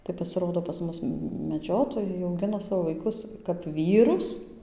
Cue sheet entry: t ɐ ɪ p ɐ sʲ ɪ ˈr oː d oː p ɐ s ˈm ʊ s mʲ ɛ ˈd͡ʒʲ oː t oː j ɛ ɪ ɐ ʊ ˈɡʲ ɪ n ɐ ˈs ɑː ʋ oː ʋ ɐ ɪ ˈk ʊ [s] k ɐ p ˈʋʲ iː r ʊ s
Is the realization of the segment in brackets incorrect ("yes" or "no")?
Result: no